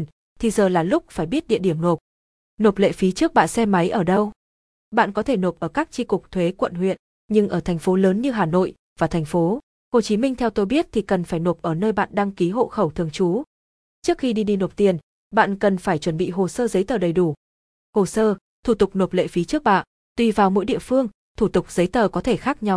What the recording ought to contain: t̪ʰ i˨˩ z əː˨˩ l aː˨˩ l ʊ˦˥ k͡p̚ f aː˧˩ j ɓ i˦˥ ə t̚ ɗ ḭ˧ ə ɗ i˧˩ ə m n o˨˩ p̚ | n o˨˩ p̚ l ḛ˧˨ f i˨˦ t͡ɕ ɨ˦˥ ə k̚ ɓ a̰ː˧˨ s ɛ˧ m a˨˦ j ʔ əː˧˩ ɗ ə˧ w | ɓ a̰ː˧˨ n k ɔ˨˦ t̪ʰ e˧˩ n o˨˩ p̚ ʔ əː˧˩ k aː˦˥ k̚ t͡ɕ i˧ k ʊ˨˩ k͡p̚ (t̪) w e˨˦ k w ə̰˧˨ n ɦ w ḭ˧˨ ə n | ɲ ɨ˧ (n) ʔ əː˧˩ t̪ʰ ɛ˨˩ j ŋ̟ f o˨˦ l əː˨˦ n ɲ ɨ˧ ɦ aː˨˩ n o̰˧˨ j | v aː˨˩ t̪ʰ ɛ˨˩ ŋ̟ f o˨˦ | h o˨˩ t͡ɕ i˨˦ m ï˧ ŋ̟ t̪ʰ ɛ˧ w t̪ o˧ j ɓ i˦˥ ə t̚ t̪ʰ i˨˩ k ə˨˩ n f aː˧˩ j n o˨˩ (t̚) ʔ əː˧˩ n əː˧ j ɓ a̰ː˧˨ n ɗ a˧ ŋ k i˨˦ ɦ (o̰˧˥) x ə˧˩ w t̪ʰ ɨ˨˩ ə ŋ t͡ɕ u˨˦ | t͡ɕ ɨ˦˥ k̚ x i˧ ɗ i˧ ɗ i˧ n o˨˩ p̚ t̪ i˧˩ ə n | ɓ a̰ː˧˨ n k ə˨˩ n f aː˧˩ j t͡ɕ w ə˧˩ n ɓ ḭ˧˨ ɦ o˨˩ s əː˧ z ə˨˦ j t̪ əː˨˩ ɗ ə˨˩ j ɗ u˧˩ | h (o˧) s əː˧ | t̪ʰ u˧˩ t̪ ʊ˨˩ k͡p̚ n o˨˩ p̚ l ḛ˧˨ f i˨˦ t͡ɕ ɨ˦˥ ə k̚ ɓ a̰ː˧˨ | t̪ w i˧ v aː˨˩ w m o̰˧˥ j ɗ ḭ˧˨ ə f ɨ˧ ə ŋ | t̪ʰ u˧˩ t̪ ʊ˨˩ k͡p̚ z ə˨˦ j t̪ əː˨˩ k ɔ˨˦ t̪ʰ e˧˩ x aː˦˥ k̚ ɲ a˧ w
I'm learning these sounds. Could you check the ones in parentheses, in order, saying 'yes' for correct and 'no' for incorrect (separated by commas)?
no, no, no, no, no